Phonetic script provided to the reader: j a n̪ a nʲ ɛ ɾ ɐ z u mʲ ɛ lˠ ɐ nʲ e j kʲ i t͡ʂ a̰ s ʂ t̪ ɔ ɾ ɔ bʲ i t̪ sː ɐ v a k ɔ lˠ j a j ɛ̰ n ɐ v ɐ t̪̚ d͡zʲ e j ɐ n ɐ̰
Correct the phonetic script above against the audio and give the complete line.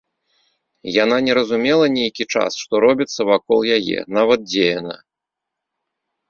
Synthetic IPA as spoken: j a n̪ a nʲ ɛ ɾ ɐ z u mʲ ɛ lˠ ɐ nʲ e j kʲ i t͡ʂ a̰ s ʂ t̪ ɔ ɾ ɔ bʲ i t̪ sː ɐ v a k ɔ lˠ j a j ɛ̰ n a v ɐ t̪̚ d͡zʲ e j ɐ n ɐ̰